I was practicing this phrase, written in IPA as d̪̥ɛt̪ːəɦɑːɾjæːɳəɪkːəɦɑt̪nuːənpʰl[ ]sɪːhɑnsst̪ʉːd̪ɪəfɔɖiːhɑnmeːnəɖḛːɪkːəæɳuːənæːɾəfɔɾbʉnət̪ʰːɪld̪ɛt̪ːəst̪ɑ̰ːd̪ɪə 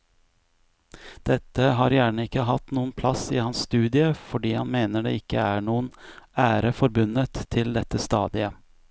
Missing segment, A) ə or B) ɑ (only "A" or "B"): B